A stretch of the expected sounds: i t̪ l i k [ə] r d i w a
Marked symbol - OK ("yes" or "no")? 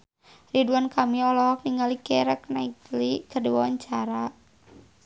yes